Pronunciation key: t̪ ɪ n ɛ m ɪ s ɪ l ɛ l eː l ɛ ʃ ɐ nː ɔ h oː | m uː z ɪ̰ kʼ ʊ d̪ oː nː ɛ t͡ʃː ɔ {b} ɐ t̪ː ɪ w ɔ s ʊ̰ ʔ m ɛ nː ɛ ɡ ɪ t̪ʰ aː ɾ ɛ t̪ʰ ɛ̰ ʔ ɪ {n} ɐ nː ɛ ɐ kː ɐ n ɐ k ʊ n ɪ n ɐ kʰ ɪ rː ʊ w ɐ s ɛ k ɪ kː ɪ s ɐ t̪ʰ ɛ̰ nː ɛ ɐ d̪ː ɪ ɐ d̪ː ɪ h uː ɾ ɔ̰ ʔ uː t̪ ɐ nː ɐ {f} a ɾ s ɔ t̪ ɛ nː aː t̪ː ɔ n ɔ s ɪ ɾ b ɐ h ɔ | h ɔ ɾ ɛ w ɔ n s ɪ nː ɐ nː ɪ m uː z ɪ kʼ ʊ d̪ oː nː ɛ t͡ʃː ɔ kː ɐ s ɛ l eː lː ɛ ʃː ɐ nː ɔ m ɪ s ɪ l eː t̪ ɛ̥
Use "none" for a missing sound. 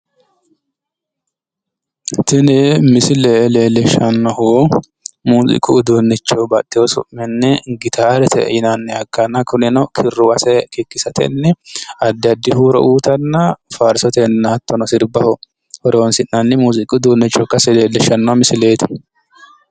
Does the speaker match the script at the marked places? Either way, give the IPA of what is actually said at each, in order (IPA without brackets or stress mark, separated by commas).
b, n, f